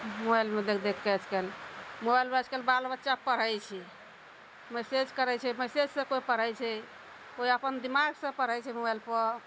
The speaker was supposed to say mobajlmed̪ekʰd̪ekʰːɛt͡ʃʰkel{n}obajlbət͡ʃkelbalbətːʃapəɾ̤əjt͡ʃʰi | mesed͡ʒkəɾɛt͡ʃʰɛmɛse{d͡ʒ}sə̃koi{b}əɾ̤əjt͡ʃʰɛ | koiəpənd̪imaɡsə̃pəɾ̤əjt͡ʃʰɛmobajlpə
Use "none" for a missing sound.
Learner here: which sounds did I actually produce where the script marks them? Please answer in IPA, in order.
m, d͡ʒ, p

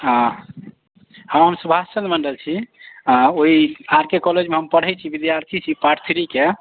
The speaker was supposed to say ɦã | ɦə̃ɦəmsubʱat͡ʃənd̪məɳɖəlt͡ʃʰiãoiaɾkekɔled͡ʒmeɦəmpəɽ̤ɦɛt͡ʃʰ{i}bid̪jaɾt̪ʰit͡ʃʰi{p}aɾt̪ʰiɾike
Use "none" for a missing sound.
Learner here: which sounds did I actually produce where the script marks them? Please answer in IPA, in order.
i, p

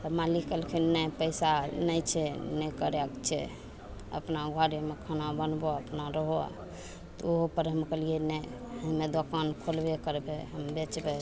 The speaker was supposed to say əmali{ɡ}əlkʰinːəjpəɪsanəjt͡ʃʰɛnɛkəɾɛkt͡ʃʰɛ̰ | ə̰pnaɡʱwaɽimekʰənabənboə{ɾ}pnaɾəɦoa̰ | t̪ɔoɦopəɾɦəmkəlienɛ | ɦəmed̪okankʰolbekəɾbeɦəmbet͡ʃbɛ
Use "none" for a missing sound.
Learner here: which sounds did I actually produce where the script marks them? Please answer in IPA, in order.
k, none

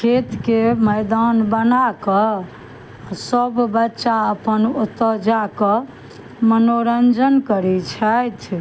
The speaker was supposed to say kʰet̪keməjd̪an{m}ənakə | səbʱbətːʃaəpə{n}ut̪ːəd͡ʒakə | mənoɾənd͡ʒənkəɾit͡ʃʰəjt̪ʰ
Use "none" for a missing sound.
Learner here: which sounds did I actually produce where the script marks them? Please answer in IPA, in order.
b, n

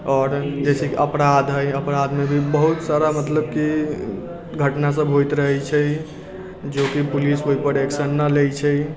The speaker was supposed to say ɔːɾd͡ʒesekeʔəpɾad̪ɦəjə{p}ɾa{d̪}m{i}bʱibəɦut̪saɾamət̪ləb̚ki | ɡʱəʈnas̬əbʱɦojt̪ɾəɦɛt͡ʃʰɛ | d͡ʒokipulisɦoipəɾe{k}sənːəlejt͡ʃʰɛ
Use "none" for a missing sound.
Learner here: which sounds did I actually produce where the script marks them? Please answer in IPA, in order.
p, d̪, e, k

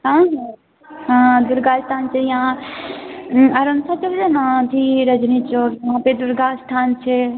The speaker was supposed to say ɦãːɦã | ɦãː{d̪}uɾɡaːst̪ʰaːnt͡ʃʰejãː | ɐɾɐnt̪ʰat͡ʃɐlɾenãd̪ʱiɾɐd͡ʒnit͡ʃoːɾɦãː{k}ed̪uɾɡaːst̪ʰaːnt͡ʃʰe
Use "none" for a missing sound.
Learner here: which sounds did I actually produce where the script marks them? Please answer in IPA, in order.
d̪, p

